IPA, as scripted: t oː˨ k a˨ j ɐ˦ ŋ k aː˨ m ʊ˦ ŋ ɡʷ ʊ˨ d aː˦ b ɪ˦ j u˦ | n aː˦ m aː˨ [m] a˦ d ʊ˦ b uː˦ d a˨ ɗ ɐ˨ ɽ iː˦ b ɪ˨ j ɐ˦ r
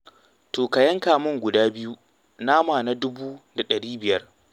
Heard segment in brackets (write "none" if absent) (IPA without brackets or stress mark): n